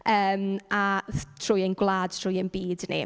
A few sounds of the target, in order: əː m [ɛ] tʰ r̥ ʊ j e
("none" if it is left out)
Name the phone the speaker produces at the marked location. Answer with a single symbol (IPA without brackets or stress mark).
a